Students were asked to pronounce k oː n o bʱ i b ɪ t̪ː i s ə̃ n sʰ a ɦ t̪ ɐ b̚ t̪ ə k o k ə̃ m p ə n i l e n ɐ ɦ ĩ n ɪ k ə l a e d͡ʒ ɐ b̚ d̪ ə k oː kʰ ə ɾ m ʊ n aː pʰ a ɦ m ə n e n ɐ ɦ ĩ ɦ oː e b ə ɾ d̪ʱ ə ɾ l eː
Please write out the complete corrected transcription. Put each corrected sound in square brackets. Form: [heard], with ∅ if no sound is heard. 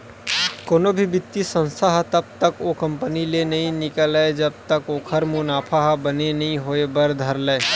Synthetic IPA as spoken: k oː n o bʱ i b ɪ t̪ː i s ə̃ n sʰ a ɦ t̪ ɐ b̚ t̪ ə k o k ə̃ m p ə n i l e n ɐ ɦ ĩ n ɪ k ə l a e d͡ʒ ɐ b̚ [t̪] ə k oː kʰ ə ɾ m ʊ n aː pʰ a ɦ [b] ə n e n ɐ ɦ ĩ ɦ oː e b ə ɾ d̪ʱ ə ɾ l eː